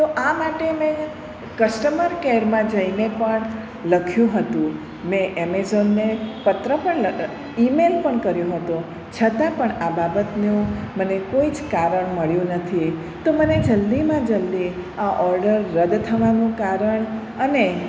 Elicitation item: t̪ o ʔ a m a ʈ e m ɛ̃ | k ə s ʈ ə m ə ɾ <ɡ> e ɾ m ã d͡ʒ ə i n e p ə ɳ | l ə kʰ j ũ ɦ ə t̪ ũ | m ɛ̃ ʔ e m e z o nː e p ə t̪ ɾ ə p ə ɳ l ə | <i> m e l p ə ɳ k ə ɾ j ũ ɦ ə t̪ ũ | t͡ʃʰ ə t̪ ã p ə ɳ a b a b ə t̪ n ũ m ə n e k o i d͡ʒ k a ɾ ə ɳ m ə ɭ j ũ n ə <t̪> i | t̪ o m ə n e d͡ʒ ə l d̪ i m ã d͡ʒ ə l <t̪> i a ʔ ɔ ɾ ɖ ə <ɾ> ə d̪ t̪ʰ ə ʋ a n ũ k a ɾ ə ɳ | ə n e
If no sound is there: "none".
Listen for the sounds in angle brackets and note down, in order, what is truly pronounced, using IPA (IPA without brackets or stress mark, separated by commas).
k, i, t̪ʰ, d̪, ɾː